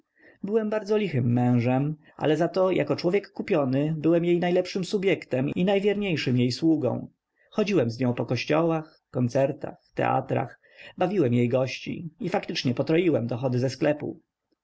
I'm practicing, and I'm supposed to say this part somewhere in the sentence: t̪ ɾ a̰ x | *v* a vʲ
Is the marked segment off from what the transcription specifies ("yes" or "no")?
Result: yes